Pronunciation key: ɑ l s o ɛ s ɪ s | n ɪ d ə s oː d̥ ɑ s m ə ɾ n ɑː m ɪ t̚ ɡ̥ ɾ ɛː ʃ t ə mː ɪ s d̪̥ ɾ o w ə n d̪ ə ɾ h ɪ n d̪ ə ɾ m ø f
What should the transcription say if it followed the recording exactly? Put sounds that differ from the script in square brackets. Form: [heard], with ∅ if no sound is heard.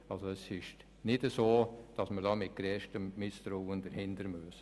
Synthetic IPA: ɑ l s o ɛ s ɪ [ʃ] | n ɪ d ə s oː d̥ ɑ s m ə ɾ [d] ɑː m ɪ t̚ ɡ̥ ɾ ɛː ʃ t ə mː ɪ s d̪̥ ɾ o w ə n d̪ ə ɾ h ɪ n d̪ ə ɾ m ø [s]